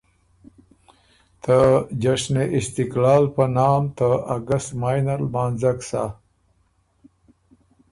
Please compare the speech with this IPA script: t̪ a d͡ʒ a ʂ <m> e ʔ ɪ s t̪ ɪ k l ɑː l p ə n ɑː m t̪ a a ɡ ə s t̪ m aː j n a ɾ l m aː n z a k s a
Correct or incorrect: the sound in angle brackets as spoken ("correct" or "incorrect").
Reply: incorrect